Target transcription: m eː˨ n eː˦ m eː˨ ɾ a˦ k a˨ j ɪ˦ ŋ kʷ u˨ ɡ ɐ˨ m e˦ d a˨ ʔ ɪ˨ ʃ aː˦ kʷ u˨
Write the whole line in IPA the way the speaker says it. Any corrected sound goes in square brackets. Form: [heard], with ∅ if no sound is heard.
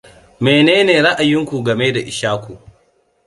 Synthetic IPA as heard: m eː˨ n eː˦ [n] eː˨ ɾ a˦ [ʔ] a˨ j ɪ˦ ŋ kʷ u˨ ɡ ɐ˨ m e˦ d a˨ ʔ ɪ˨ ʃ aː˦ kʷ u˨